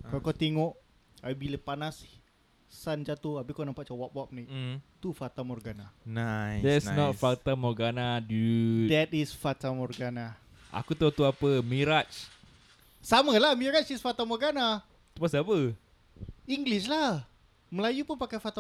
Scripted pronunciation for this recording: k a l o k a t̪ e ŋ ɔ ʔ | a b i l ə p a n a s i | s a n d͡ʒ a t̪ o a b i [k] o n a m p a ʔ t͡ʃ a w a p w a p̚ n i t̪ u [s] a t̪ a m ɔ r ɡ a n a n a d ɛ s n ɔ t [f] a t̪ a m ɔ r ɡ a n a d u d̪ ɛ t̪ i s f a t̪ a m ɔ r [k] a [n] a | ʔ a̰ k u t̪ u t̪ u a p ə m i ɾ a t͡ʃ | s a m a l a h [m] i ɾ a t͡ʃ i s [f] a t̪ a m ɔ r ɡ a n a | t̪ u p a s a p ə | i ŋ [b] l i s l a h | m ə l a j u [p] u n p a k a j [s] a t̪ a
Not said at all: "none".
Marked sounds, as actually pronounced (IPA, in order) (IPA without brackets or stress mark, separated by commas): k, f, f, ɡ, n, m, f, ɡ, p, f